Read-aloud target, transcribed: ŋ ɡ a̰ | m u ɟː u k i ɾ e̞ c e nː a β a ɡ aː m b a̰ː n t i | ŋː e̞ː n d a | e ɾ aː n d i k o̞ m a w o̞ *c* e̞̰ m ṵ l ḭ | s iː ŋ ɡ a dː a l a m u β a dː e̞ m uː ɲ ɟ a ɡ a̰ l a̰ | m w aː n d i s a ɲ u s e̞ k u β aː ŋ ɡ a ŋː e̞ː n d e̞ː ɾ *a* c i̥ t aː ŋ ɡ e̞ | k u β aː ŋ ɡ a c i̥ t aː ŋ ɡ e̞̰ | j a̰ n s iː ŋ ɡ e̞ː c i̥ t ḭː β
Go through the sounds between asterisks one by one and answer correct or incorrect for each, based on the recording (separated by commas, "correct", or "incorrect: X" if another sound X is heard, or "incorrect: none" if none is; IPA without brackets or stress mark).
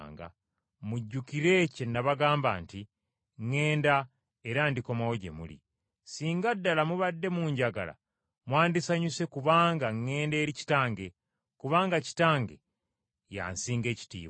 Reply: incorrect: ɟ, incorrect: i